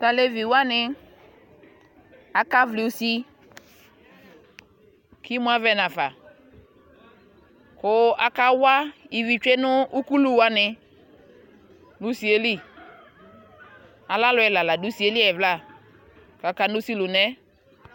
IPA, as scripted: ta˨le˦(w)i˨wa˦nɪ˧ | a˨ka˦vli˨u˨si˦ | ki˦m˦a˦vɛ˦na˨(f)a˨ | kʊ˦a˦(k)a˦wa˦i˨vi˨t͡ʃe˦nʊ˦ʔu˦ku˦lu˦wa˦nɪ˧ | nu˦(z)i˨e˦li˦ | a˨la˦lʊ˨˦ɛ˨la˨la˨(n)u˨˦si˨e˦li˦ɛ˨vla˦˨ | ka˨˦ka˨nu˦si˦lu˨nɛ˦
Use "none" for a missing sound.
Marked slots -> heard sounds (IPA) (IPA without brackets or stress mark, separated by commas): v, f, k, s, d